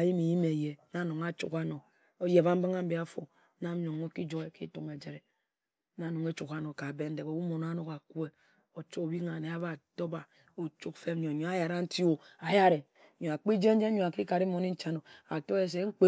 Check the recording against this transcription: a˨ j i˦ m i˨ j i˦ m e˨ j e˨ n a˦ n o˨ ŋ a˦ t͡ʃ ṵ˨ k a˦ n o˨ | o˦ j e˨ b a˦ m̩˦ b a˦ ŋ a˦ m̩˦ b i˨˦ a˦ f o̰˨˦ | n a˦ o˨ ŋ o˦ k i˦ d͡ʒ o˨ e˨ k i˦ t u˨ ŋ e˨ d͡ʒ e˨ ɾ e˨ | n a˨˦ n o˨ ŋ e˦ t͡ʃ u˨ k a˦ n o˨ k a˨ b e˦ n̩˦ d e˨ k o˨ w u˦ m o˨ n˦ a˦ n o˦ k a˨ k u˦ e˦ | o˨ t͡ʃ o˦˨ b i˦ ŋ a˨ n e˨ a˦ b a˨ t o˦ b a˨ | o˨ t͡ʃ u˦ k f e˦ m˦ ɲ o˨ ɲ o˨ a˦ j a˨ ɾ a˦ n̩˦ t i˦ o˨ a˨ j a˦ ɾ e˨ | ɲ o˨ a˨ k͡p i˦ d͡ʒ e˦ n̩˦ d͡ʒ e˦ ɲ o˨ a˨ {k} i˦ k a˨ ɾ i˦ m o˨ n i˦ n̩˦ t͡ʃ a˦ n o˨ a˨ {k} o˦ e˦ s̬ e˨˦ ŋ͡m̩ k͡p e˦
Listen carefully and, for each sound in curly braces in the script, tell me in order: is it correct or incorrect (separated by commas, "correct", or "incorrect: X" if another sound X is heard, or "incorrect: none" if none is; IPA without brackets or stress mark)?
correct, incorrect: t